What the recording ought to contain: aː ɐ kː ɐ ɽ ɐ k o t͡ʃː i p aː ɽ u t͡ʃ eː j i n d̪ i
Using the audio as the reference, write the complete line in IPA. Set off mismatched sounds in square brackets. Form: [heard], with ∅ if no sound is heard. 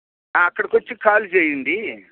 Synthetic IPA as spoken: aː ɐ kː ɐ ɽ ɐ k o t͡ʃː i [k] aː [l] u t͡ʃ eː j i n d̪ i